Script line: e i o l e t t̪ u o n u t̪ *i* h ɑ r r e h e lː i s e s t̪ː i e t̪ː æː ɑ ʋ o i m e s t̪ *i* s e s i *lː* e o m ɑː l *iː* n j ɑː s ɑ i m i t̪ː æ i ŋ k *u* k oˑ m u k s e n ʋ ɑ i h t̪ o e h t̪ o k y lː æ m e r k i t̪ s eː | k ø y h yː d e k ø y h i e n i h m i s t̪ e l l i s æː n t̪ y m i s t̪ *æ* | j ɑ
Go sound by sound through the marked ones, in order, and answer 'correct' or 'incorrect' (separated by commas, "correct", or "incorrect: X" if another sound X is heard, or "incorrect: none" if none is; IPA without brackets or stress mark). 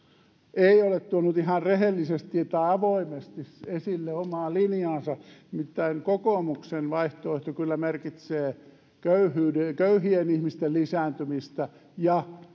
correct, correct, correct, incorrect: i, incorrect: o, correct